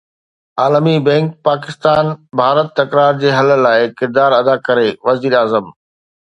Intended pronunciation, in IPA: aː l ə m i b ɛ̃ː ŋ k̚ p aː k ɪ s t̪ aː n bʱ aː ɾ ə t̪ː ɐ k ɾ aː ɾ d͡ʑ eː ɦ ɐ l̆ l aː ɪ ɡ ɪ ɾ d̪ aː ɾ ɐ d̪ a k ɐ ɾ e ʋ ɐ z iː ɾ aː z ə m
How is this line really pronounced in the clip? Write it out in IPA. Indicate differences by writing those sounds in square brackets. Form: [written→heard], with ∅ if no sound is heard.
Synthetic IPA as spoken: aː l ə m i b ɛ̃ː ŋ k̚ p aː k ɪ s t̪ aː n bʱ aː ɾ ə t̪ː ɐ k ɾ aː ɾ d͡ʑ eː ɦ ɐ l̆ l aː ɪ [ɡ→k] ɪ ɾ d̪ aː ɾ ɐ d̪ a k ɐ ɾ e ʋ ɐ z iː ɾ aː z ə m